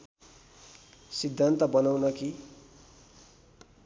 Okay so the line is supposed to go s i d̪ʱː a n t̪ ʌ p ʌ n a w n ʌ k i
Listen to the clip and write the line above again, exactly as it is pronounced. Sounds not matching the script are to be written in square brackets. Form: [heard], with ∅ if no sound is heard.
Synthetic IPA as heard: s i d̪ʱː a n t̪ ʌ [b] ʌ n a w n ʌ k i